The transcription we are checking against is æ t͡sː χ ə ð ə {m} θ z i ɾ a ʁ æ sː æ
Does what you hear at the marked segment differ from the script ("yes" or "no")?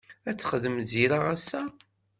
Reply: no